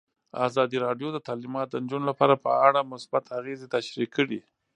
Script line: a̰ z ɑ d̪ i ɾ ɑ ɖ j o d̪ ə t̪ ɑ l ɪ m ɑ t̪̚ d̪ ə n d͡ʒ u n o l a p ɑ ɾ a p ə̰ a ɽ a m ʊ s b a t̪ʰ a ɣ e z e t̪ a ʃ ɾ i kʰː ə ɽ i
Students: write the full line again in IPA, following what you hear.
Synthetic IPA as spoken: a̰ z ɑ d̪ i ɾ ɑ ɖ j o d̪ ə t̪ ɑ l i m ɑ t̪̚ d̪ ə n d͡ʒ u n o l a p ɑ ɾ a p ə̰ a ɽ a m ʊ s b a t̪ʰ a ɣ e z e t̪ a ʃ ɾ i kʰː ə ɽ i

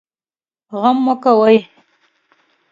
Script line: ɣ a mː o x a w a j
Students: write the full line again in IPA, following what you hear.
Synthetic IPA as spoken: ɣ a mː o k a w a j

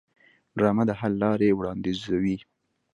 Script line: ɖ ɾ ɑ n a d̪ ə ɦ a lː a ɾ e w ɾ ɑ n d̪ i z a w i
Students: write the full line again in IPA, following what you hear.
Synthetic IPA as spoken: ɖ ɾ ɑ m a d̪ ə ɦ a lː ɑ ɾ e w ɽ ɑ n d̪ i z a w i

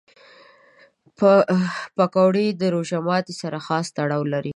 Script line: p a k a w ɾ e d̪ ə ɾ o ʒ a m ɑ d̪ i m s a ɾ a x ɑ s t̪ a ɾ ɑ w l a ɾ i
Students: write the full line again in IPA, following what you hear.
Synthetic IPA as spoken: p a k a w ɽ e d̪ ə ɾ o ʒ a m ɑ t̪ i s a ɾ a x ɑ s t̪ a ɽ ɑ w l a ɾ i

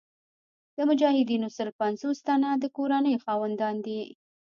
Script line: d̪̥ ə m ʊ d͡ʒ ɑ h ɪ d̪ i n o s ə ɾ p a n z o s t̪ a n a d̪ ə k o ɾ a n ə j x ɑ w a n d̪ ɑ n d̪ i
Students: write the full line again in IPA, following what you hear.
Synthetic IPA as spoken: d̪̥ ə m ʊ d͡ʒ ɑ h ɪ d̪ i n o s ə ɾ p a n z o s t̪ a n a d̪ ə k o ɾ a n ə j x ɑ w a n d̪ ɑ n d̪ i

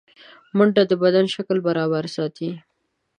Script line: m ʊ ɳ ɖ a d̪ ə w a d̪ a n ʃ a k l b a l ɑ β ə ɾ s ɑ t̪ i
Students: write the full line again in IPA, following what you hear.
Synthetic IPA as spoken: m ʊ ɳ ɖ a d̪ ə b a d̪ a n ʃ a k l b a ɾ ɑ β a ɾ s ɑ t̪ i

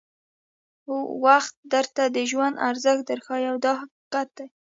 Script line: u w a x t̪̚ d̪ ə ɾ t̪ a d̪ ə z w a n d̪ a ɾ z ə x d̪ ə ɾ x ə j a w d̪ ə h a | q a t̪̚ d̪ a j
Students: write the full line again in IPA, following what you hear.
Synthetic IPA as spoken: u w a x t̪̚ d̪ ə ɾ t̪ a d̪ ə ʒ w a n d̪ a ɾ z ə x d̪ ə ɾ x ɑ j a w d̪ ɑ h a | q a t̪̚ d̪ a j

